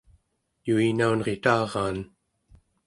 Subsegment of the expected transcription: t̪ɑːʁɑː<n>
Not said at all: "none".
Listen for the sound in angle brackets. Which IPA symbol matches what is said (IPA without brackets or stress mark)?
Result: n